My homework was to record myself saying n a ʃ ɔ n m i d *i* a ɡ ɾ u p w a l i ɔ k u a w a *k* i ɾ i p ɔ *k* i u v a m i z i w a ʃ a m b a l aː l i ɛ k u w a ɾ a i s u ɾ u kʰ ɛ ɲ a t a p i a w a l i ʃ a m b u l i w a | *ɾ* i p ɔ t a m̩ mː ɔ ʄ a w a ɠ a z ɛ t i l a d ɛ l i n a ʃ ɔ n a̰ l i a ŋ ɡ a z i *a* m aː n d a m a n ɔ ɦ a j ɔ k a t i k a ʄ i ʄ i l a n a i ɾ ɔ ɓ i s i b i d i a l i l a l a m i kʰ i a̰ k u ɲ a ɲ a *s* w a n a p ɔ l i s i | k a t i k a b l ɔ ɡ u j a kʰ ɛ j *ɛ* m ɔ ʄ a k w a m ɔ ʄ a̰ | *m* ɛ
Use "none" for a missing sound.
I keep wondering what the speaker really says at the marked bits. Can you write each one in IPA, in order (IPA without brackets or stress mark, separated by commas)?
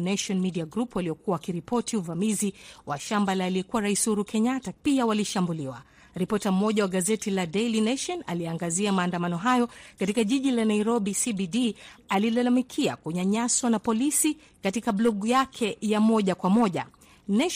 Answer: i, k, t, ɾ, a, s, a, n